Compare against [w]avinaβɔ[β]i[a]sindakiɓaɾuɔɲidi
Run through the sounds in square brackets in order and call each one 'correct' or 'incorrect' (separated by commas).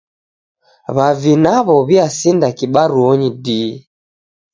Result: incorrect, correct, correct